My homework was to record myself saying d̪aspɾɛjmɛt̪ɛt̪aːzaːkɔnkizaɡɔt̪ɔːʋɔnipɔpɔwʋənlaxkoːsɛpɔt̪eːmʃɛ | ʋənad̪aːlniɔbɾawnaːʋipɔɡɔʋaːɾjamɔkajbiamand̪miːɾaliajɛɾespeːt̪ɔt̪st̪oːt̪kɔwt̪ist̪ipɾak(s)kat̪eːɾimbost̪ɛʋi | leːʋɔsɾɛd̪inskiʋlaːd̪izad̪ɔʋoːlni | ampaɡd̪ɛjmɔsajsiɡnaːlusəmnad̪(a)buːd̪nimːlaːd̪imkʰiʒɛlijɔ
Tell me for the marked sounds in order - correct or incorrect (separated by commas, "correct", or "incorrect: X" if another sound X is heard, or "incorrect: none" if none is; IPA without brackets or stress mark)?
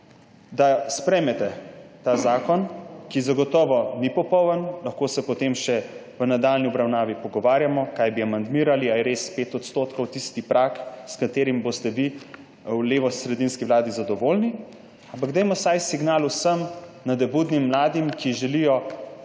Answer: correct, incorrect: ɛ